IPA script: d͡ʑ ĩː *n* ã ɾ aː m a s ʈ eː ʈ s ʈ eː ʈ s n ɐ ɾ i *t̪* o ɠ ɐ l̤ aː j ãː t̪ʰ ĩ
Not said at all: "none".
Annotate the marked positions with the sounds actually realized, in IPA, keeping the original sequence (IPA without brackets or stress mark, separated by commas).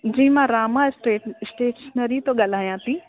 m, t̪